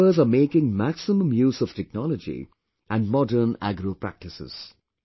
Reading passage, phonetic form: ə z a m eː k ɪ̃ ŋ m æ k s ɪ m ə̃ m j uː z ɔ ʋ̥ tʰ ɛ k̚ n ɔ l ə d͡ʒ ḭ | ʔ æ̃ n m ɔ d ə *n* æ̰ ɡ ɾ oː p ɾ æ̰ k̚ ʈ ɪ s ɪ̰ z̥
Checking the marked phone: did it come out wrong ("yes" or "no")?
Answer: no